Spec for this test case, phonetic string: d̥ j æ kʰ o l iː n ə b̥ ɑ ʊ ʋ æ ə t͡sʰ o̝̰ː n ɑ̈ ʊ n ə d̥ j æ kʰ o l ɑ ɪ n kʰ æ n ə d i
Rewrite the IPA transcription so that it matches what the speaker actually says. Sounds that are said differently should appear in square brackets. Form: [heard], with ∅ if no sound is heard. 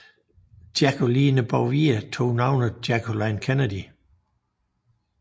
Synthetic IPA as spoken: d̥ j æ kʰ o l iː n ə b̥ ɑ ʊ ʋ [i] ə t͡sʰ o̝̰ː n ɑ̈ ʊ n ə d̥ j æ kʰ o l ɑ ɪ n kʰ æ n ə d i